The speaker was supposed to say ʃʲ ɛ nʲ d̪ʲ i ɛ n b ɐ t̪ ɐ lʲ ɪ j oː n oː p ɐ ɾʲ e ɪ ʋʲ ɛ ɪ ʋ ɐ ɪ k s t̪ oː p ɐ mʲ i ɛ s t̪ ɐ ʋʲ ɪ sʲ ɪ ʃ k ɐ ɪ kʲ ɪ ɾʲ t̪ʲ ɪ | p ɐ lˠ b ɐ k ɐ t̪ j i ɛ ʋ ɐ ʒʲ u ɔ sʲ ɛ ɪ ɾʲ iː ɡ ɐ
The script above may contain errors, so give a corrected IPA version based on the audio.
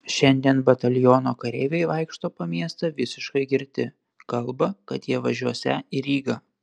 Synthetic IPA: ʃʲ ɛ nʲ d̪ʲ i ɛ n b ɐ t̪ ɐ lʲ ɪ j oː n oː k ɐ ɾʲ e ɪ ʋʲ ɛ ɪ ʋ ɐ ɪ k ʃ t̪ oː p ɐ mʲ i ɛ s t̪ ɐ ʋʲ ɪ sʲ ɪ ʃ k ɐ ɪ ɡʲ ɪ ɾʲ t̪ʲ ɪ | k ɐ lˠ b ɐ k ɐ t̪ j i ɛ ʋ ɐ ʒʲ u ɔ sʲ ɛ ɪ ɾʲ iː ɡ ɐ